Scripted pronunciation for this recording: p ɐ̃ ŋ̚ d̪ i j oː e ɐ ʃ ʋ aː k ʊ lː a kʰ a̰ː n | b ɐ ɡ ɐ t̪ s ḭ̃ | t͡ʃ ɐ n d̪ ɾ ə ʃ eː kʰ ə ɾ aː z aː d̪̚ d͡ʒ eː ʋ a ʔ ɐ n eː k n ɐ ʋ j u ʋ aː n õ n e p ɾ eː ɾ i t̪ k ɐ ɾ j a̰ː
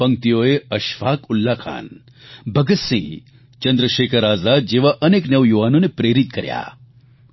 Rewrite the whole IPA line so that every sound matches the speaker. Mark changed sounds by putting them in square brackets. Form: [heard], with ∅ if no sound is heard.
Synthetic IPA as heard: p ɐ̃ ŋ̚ [t̪] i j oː e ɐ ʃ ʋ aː k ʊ lː a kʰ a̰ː n | b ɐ ɡ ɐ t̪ s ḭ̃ | t͡ʃ ɐ n d̪ ɾ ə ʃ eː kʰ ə ɾ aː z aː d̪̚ d͡ʒ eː ʋ a ʔ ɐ n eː k n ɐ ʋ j u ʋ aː n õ n e p ɾ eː ɾ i t̪ k ɐ ɾ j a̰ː

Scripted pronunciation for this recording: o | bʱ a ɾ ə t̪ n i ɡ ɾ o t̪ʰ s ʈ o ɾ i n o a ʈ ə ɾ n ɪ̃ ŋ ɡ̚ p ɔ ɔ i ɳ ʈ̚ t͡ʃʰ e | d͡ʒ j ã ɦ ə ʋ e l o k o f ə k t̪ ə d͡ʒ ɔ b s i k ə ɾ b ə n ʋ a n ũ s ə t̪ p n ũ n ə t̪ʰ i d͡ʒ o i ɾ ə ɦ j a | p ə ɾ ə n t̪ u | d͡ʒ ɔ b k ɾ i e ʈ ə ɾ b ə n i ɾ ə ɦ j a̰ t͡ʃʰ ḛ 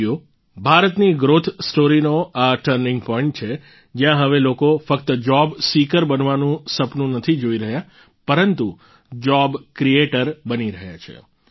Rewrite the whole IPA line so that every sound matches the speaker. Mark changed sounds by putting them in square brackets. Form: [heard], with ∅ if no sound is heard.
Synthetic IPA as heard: o | bʱ a ɾ ə t̪ n i ɡ ɾ o t̪ʰ s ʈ o ɾ i n o a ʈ ə ɾ n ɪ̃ ŋ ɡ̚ p ɔ ɔ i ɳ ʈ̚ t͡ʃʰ e | d͡ʒ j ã ɦ ə ʋ e l o k o f ə k t̪ ə d͡ʒ ɔ b s i k ə ɾ b ə n ʋ a n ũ s ə [∅] p n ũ n ə t̪ʰ i d͡ʒ o i ɾ ə ɦ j a | p ə ɾ ə n t̪ u | d͡ʒ ɔ b k ɾ i e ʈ ə ɾ b ə n i ɾ ə ɦ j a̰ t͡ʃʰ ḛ

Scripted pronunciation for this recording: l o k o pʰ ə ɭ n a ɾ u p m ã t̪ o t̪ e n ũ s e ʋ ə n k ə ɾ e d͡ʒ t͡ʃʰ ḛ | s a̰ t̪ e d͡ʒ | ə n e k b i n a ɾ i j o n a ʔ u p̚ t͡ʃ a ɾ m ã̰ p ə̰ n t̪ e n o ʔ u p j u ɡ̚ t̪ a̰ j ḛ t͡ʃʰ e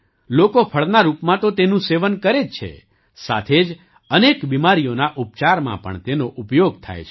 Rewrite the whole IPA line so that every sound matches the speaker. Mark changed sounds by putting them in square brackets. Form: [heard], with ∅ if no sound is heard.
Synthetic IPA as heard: l o k o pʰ ə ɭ n a ɾ u p m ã t̪ o t̪ e n ũ s e ʋ ə n k ə ɾ e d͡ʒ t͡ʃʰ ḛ | s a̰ [t̪ʰ] e d͡ʒ | ə n e k b i [m] a ɾ i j o n a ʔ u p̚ t͡ʃ a ɾ m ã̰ p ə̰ [ɳ] t̪ e n o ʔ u p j [o] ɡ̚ [t̪ʰ] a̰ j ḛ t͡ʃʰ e

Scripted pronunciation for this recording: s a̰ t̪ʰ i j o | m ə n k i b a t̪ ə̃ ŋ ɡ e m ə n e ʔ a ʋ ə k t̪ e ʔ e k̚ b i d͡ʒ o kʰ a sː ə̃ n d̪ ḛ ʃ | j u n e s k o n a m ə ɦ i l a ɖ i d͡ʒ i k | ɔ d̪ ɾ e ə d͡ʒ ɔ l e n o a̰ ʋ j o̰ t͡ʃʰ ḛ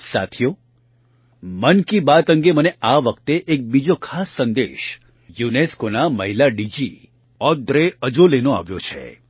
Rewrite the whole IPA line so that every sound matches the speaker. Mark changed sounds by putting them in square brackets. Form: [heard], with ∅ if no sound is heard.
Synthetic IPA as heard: s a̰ t̪ʰ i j o | m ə n k i b a t̪ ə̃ ŋ ɡ e m ə n e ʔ a ʋ ə k t̪ e ʔ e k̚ b i d͡ʒ o kʰ a sː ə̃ n d̪ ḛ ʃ | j u n e s k o n a m ə ɦ i l a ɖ i d͡ʒ i [∅] | ɔ d̪ ɾ e ə d͡ʒ [o] l e n o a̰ ʋ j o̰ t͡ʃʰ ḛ

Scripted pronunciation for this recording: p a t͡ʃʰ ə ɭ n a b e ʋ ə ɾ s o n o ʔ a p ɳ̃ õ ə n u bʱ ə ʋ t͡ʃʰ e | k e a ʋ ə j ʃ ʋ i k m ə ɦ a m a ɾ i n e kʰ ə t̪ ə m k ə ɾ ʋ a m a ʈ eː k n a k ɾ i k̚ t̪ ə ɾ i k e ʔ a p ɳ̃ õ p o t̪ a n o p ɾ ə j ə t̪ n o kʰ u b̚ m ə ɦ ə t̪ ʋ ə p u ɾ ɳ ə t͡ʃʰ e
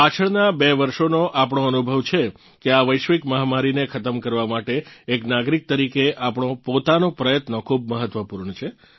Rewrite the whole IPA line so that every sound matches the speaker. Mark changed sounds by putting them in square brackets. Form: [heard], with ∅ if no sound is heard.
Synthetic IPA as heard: p a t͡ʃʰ ə ɭ n a b e ʋ ə ɾ [ʃ] o n o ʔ a p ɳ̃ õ ə n u bʱ ə ʋ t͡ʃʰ e | k e a ʋ ə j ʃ ʋ i k m ə ɦ a m a ɾ i n e kʰ ə t̪ ə m k ə ɾ ʋ a m a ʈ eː k n a [ɡ] ɾ i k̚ t̪ ə ɾ i k e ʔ a p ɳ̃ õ p o t̪ a n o p ɾ ə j ə t̪ n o kʰ u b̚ m ə ɦ ə t̪ ʋ ə p u ɾ ɳ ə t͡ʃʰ e

